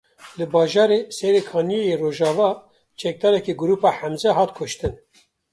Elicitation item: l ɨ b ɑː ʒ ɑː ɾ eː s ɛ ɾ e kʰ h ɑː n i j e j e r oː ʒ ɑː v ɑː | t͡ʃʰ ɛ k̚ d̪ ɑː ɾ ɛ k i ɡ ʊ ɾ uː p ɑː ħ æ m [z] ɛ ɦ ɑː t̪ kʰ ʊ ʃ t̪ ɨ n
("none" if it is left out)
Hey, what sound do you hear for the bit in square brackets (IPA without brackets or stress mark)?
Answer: z